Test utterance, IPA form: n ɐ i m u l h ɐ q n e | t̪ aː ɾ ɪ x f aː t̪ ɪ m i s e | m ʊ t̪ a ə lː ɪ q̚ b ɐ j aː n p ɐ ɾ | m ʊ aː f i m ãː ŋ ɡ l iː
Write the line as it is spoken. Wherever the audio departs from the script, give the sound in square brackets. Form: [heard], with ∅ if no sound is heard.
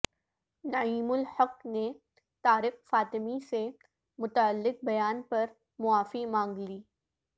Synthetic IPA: n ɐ [iː] m [ʊ] l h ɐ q n e | t̪ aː ɾ ɪ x f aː t̪ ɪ m i s e | m ʊ t̪ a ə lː ɪ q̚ b ɐ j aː n p ɐ ɾ | m ʊ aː f i m ãː ŋ ɡ l iː